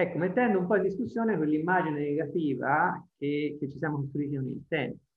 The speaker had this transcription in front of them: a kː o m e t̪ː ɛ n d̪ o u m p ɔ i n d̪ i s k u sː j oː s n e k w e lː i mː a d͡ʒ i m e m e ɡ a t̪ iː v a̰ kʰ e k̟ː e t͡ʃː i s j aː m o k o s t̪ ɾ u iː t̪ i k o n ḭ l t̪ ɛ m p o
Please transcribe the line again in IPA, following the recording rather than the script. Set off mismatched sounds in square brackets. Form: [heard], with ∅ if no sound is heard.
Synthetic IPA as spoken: [ɛ] kː o m e t̪ː ɛ n d̪ o u m p ɔ i n d̪ i s k u sː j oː [∅] n e k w e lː i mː a d͡ʒ i [n] e [n] e ɡ a t̪ iː v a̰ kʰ e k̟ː e t͡ʃː i s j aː m o k o s t̪ ɾ u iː t̪ i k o n ḭ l t̪ ɛ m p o